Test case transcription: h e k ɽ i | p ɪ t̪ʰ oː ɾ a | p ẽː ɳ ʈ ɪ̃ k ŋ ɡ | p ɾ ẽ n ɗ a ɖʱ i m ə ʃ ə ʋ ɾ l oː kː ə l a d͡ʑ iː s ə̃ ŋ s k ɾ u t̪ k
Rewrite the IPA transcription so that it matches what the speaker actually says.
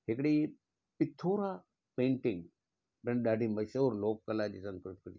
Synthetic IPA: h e k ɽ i | p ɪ t̪ʰ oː ɾ a | p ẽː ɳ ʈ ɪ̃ ŋ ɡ | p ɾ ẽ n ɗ a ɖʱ i m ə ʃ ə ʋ ɾ l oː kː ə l a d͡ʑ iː s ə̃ ŋ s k ɾ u t̪ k